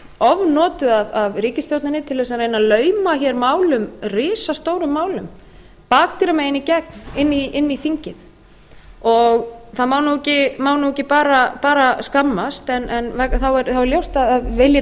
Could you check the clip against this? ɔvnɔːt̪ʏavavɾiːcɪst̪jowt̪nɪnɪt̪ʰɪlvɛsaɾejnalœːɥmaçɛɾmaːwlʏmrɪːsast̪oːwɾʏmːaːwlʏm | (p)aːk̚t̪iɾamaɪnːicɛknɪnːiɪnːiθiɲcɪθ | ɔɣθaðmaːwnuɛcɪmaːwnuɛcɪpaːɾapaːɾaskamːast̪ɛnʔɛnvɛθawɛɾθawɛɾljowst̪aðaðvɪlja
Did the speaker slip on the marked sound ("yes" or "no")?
no